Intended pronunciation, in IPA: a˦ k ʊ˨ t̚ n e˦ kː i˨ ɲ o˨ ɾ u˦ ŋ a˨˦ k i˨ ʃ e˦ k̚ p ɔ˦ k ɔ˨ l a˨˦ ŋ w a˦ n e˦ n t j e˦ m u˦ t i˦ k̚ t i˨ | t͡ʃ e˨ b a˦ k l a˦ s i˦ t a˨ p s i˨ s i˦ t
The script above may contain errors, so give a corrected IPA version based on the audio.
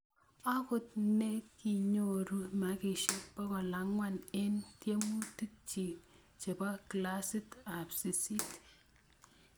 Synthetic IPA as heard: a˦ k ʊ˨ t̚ n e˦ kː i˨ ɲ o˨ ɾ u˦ m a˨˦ k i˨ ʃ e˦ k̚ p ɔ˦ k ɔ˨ l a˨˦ ŋ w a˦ n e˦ n t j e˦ m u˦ t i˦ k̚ t͡ʃ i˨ | t͡ʃ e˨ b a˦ k l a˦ s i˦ t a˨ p s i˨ s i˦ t

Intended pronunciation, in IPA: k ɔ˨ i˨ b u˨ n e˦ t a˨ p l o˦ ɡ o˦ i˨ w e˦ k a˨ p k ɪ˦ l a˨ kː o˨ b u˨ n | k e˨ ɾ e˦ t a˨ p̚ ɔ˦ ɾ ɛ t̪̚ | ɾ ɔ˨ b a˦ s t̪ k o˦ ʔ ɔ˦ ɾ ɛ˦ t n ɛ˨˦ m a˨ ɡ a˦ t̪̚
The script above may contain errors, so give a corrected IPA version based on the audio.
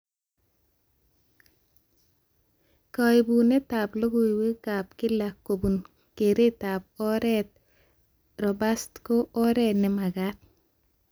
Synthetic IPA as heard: k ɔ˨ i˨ b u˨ n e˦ t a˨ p l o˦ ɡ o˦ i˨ w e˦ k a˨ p k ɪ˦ l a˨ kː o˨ b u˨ n | k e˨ ɾ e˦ t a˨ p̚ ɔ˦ ɾ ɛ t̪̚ | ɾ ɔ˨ b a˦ s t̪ k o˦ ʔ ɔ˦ ɾ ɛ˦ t n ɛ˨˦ m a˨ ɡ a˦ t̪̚

